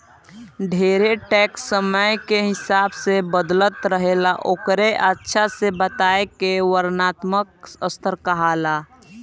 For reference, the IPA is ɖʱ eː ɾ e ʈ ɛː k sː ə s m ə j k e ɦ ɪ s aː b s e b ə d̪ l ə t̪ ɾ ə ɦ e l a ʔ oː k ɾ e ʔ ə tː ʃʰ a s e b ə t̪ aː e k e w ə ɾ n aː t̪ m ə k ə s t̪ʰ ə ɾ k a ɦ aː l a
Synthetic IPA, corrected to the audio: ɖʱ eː ɾ e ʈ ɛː k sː ə m ə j k e ɦ ɪ s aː b s e b ə d̪ l ə t̪ ɾ ə ɦ e l a ʔ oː k ɾ e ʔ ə tː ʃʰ a s e b ə t̪ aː e k e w ə ɾ n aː t̪ m ə k ə s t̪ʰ ə ɾ k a ɦ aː l a